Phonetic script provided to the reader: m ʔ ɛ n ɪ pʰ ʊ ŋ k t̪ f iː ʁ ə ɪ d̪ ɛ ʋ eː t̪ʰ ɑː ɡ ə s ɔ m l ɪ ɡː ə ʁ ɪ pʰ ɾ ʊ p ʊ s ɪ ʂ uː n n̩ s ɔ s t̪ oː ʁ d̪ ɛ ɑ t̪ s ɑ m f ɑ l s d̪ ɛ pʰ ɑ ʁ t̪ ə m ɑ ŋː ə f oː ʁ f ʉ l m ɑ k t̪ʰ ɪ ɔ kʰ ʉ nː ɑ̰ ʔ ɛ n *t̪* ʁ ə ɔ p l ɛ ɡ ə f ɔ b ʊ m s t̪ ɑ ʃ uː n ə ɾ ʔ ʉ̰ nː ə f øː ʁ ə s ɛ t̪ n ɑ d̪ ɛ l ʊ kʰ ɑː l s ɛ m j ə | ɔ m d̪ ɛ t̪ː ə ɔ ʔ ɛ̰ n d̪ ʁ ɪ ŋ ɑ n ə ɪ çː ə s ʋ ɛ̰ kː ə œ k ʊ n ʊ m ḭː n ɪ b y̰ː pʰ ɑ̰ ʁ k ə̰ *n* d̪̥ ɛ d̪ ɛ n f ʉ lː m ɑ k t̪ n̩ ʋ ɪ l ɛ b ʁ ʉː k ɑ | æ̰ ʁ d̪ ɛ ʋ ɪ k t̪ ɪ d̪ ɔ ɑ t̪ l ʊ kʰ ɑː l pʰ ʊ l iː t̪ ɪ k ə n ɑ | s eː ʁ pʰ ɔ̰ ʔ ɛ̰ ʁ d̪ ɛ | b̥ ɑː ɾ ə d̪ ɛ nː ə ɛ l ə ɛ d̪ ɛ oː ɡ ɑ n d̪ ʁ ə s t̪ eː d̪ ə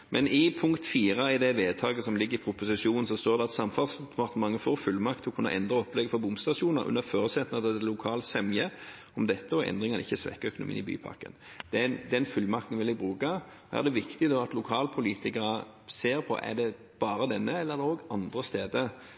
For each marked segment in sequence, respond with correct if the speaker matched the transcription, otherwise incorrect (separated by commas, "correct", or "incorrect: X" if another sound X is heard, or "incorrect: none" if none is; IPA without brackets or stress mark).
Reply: incorrect: d̪, correct